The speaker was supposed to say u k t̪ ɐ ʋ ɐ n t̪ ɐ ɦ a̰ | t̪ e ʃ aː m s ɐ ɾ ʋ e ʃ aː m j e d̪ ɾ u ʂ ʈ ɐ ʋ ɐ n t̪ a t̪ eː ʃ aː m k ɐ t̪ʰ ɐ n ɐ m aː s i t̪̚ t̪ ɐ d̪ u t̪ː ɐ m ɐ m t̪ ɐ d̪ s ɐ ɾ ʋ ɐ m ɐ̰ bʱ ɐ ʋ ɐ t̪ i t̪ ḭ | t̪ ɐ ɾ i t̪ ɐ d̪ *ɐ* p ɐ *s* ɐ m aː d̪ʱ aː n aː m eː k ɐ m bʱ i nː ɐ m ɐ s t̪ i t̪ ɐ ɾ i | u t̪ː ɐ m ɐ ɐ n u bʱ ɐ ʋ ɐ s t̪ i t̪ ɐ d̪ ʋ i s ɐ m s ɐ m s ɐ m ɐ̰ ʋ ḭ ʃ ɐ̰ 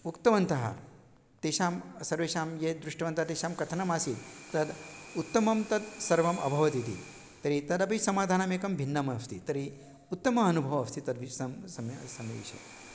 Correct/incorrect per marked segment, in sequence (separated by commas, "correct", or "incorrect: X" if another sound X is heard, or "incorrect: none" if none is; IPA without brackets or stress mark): correct, correct